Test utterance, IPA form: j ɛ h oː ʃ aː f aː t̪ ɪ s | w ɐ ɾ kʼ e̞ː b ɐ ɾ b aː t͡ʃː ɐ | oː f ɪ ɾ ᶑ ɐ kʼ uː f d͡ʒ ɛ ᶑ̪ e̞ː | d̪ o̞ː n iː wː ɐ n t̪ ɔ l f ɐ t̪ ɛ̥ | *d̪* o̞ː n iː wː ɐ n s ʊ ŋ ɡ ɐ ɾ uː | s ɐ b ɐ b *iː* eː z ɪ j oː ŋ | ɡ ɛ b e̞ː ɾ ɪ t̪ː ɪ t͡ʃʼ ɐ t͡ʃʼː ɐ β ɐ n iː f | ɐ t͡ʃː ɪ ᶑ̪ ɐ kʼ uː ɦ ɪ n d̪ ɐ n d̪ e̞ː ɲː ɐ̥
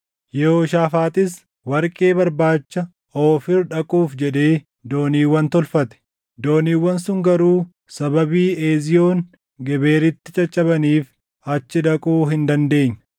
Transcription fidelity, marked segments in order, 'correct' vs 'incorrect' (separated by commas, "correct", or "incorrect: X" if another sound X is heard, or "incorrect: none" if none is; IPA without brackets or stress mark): correct, correct